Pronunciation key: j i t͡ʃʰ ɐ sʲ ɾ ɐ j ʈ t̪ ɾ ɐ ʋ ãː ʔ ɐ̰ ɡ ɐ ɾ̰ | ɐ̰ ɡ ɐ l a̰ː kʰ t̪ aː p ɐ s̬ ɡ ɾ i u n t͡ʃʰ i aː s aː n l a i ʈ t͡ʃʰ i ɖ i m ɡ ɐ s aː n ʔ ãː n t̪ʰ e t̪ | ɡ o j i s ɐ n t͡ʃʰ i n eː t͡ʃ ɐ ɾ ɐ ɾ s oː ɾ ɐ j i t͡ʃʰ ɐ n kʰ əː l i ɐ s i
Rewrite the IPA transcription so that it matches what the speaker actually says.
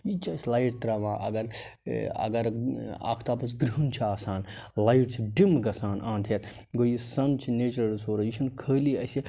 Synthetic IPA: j i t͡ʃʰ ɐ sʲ l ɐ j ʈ t̪ ɾ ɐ ʋ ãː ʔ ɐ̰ ɡ ɐ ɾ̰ | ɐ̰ ɡ ɐ ɾ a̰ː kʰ t̪ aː p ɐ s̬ ɡ ɾ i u n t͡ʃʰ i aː s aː n l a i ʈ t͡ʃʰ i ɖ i m ɡ ɐ s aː n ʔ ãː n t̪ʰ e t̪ | ɡ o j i s ɐ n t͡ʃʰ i n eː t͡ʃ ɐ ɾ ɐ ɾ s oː ɾ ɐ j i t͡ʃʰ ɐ n kʰ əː l i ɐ s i

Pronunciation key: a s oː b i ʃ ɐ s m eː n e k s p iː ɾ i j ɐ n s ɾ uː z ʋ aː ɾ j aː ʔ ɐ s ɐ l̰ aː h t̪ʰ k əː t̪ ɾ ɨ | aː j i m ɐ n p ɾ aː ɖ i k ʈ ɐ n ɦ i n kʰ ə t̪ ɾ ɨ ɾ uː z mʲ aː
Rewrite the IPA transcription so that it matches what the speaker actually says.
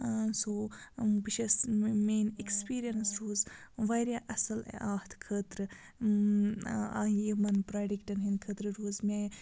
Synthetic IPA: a s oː b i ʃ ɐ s m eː n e k s p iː ɾ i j ɐ n s ɾ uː z ʋ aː ɾ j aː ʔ ɐ s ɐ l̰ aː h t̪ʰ kʰ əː t̪ ɾ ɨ | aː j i m ɐ n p ɾ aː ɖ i k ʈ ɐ n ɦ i n kʰ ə t̪ ɾ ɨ ɾ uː z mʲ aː

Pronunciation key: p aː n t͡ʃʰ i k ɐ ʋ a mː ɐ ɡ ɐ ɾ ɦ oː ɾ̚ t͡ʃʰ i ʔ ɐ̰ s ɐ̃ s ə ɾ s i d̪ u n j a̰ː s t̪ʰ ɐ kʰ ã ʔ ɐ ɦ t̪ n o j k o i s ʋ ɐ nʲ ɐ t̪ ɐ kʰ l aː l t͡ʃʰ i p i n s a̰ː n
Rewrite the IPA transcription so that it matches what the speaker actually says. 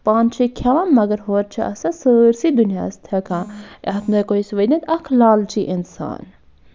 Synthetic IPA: p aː n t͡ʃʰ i kʰ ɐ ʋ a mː ɐ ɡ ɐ ɾ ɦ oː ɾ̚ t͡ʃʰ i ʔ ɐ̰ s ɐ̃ s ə ɾ s i d̪ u n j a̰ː s t̪ʰ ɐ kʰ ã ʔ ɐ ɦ t̪ n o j k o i s ʋ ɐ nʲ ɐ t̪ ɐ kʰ l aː l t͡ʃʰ i ʔ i n s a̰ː n

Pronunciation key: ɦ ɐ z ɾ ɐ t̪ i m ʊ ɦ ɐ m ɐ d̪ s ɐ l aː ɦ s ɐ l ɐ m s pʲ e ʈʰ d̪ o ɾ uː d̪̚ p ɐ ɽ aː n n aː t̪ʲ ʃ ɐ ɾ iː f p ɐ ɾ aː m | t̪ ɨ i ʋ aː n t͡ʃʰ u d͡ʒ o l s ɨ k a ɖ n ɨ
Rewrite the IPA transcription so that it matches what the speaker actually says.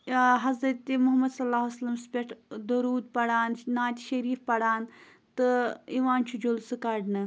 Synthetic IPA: ɦ ɐ z ɾ ɐ t̪ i m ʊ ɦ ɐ m ɐ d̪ s ɐ l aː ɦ s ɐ l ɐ m s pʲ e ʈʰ d̪ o ɾ uː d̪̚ p ɐ ɽ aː n n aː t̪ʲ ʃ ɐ ɾ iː f p ɐ ɽ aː n | t̪ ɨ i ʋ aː n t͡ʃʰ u d͡ʒ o l s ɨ k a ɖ n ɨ

